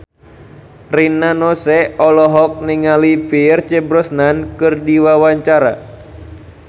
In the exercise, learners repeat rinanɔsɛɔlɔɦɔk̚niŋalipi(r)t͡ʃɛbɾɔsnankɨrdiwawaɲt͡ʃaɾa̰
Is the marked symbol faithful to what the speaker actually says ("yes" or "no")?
yes